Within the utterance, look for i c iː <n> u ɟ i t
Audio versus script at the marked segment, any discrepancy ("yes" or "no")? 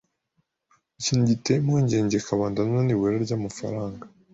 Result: no